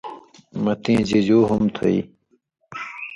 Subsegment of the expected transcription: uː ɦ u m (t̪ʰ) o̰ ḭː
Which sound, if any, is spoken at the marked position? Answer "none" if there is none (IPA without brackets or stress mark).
t̪ʰ